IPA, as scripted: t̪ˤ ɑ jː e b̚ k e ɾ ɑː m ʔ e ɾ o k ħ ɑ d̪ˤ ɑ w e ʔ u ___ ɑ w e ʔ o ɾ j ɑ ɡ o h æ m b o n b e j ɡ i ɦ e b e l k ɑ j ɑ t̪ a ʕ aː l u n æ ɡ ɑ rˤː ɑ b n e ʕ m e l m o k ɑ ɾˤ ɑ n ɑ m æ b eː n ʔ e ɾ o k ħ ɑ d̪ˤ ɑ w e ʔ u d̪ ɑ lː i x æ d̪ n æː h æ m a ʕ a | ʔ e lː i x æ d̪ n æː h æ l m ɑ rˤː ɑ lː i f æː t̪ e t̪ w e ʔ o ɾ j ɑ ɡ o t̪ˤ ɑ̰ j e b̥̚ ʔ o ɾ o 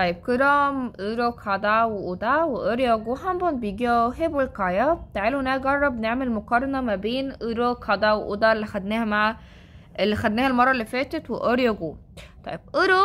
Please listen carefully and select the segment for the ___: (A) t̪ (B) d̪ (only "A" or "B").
B